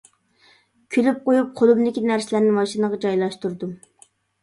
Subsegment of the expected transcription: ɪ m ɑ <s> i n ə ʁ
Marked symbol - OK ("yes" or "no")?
no